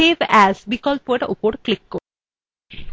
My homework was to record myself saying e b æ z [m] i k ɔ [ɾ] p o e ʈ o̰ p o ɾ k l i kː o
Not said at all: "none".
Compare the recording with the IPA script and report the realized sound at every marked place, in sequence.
b, l

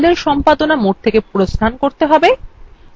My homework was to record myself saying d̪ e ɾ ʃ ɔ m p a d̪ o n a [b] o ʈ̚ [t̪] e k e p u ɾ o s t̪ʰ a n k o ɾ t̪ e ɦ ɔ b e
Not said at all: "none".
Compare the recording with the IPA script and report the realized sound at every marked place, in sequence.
m, t̪ʰ

